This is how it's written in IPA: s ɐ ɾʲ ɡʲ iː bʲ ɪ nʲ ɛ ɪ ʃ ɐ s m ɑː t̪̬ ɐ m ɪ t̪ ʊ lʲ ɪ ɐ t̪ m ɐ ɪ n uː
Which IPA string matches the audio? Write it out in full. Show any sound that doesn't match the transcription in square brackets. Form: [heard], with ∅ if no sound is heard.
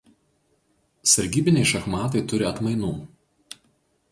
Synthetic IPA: s ɐ ɾʲ ɡʲ iː bʲ ɪ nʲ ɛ ɪ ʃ ɐ [x] m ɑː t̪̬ ɐ [∅] ɪ t̪ ʊ [ɾʲ] ɪ ɐ t̪ m ɐ ɪ n uː